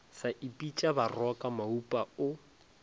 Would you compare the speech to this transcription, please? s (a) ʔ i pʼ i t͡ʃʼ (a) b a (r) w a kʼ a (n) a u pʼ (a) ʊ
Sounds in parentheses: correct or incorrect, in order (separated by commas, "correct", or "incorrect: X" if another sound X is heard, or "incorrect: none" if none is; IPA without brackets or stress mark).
correct, correct, correct, incorrect: m, correct